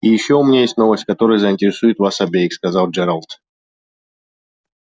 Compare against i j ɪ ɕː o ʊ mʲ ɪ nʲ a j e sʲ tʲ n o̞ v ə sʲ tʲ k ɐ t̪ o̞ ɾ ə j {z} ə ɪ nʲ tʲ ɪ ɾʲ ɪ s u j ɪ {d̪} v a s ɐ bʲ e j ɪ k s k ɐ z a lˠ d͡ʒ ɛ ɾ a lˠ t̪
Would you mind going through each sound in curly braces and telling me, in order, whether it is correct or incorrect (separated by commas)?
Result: correct, incorrect